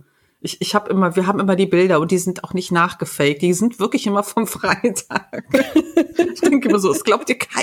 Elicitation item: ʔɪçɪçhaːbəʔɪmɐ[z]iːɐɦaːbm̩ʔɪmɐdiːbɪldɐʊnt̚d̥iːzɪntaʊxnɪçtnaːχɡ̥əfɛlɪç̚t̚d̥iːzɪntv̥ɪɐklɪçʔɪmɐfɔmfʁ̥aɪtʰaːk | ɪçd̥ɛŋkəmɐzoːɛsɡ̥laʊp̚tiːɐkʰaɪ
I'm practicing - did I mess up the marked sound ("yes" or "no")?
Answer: yes